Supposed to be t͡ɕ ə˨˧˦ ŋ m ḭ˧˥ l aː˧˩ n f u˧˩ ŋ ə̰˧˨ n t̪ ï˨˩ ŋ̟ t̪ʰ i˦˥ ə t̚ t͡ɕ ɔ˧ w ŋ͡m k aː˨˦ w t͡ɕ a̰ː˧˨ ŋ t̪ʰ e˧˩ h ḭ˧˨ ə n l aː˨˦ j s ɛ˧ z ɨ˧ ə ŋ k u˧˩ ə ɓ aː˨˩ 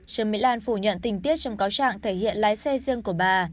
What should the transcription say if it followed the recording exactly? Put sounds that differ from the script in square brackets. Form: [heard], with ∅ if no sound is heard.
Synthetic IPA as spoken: t͡ɕ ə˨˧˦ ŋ m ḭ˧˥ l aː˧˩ n f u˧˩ [ɲ] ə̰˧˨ n t̪ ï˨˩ ŋ̟ [t̪] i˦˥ ə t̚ t͡ɕ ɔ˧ w ŋ͡m k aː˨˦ w t͡ɕ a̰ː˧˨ ŋ t̪ʰ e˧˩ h ḭ˧˨ ə n l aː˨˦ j s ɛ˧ z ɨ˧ ə ŋ k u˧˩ ə ɓ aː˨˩